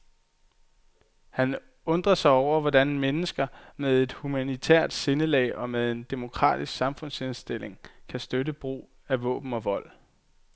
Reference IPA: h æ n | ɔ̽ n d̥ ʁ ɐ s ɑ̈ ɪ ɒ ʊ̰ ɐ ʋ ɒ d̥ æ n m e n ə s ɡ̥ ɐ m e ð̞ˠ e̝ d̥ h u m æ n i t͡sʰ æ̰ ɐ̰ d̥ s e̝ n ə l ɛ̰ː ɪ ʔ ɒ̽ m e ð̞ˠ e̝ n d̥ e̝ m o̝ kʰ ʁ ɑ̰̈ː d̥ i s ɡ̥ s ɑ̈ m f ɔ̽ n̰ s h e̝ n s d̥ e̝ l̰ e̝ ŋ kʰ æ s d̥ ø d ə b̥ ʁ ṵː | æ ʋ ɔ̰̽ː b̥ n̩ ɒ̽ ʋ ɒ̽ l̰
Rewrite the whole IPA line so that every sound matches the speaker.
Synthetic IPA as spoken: h æ n | ɔ̽ n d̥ ʁ ɐ s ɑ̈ ɪ ɒ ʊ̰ ɐ ʋ ɒ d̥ æ n m e n ə s ɡ̥ ɐ m e ð̞ˠ e̝ d̥ h u m æ n i t͡sʰ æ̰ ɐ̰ d̥ s e̝ n ə l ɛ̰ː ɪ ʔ ɒ̽ m e ð̞ˠ e̝ n d̥ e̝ m o̝ kʰ ʁ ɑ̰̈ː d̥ i s ɡ̥ s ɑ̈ m f ɔ̽ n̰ s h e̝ n s d̥ e̝ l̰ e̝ ŋ kʰ æ s d̥ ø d ə b̥ ʁ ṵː | æ ʋ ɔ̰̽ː b̥ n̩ ɒ̽ ʋ ɒ̽ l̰